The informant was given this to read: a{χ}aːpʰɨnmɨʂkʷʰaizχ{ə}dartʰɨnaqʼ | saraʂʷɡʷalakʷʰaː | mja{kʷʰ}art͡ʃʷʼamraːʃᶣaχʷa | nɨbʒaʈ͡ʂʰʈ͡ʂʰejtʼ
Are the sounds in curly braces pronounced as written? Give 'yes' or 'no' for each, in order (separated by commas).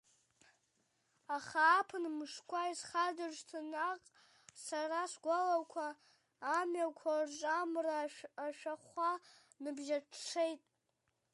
yes, no, yes